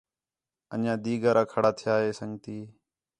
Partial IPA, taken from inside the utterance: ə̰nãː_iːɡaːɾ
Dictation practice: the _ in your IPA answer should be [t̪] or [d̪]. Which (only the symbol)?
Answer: d̪